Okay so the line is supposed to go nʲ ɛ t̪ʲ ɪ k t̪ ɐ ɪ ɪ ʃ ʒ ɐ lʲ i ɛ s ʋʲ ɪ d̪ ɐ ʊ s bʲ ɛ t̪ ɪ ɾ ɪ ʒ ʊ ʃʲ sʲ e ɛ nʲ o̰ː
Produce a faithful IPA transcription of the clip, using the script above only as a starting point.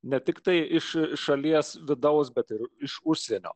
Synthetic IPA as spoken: nʲ ɛ t̪ʲ ɪ k t̪ ɐ ɪ ɪ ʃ ʃ ɐ lʲ i ɛ s ʋʲ ɪ d̪ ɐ ʊ s bʲ ɛ t̪ ɪ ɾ ɪ ʃ ʊ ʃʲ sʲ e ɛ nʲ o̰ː